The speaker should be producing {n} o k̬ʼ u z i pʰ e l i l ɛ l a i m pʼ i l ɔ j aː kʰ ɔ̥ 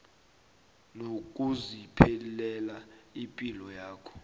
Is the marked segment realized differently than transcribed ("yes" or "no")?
no